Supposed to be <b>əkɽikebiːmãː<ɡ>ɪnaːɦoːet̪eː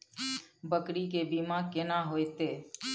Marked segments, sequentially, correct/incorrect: correct, incorrect

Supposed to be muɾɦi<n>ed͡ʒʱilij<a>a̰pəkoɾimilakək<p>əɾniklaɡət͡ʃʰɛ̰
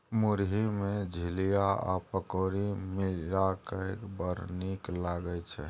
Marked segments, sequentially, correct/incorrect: incorrect, correct, incorrect

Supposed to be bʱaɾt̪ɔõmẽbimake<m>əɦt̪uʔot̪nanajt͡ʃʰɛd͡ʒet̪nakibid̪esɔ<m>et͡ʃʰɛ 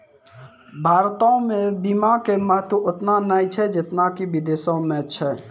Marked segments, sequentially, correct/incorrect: correct, correct

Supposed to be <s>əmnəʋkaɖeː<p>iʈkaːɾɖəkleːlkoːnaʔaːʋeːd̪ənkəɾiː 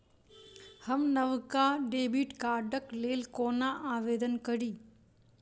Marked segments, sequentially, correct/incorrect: incorrect, incorrect

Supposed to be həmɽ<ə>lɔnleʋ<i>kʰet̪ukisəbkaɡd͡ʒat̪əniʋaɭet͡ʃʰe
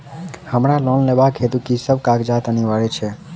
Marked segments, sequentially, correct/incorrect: incorrect, incorrect

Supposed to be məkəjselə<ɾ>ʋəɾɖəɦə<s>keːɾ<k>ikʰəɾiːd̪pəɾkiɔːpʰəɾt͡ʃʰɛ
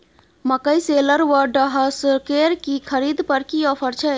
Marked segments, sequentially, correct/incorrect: correct, correct, correct

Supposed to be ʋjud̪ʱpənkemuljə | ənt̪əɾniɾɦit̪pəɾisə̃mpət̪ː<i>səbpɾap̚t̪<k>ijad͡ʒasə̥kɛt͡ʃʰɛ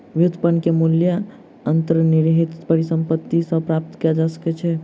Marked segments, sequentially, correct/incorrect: correct, correct

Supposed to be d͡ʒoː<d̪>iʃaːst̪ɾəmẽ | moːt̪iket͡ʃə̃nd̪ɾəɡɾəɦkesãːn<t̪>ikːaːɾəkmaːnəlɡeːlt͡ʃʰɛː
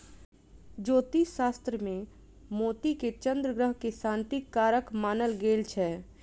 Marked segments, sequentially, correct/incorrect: incorrect, correct

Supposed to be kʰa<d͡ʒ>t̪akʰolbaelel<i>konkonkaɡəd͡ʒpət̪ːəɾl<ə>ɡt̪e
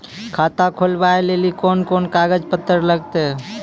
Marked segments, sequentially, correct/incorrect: incorrect, correct, correct

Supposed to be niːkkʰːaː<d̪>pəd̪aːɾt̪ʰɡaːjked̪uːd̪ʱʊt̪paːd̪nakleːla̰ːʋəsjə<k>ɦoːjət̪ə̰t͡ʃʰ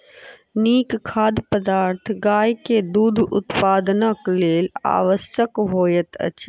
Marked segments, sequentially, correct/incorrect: correct, correct

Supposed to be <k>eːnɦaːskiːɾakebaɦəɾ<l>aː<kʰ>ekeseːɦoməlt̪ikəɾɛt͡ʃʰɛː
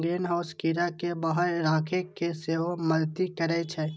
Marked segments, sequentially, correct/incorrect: incorrect, incorrect, correct

